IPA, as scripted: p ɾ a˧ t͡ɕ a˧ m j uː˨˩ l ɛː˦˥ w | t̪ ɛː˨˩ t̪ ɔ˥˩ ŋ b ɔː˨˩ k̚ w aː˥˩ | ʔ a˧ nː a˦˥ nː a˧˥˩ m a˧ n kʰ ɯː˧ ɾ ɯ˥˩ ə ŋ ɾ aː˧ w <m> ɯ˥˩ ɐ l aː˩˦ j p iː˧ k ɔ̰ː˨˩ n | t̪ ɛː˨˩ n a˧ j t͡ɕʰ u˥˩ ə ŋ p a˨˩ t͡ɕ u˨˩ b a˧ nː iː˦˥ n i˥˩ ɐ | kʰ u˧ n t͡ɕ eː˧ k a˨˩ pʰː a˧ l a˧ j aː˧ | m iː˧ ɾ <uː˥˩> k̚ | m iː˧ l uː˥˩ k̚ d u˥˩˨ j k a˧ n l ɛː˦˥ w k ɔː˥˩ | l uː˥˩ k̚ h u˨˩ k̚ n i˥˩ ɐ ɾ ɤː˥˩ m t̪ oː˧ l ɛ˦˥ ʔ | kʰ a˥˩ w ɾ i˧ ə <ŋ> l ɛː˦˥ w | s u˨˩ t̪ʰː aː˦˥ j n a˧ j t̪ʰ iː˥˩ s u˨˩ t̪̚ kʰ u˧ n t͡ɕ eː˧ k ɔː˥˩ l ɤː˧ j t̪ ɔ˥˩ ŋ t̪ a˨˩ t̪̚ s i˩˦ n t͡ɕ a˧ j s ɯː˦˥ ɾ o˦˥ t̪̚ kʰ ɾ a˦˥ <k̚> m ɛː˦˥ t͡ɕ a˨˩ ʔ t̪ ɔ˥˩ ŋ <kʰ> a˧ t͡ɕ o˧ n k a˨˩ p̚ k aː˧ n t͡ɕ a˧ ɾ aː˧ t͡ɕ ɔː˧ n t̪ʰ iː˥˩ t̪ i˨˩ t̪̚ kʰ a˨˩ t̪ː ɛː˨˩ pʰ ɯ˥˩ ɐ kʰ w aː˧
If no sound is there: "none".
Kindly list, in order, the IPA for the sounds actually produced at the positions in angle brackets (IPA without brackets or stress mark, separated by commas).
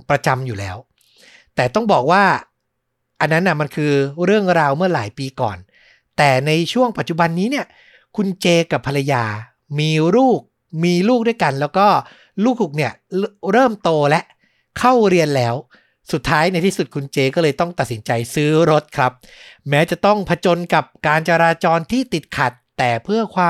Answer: m, uː˥˩, n, p̚, pʰ